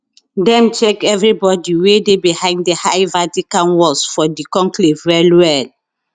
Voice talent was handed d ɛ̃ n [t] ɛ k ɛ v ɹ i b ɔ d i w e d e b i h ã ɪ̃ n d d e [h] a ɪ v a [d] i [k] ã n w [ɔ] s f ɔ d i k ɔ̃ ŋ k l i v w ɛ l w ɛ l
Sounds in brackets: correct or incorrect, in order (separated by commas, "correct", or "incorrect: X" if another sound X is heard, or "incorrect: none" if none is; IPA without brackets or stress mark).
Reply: incorrect: t͡ʃ, correct, incorrect: t, correct, correct